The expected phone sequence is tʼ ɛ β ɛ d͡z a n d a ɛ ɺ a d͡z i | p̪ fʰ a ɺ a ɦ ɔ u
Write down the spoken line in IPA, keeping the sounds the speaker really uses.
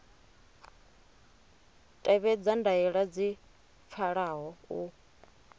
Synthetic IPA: tʼ ɛ β ɛ d͡z a n d a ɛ ɺ a d͡z i | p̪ fʰ a ɺ a ɦ ɔ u